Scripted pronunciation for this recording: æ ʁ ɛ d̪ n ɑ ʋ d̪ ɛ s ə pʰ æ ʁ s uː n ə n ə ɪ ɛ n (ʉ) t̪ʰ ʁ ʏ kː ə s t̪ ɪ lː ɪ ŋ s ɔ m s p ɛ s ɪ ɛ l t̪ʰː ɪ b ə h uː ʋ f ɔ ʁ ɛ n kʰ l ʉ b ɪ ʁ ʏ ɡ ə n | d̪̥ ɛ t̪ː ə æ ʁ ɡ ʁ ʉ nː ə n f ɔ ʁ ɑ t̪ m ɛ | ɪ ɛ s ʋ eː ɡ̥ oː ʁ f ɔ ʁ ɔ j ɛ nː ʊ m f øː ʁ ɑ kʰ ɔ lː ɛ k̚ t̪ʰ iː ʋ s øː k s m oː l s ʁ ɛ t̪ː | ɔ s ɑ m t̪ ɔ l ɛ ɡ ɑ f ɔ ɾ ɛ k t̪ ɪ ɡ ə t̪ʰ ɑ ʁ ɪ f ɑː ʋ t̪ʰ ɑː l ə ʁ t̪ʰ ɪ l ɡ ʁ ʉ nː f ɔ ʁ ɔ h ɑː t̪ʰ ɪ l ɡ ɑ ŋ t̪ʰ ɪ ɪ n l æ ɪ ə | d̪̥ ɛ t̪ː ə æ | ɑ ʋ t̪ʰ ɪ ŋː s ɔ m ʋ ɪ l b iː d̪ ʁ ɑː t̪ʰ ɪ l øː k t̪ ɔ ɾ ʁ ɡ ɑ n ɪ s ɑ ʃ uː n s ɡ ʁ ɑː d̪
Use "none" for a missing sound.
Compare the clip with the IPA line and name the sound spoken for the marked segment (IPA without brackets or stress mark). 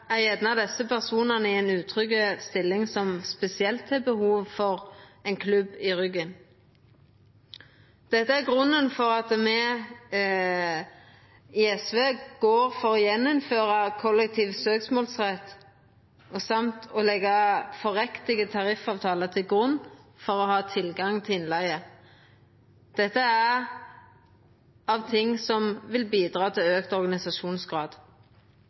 ʉː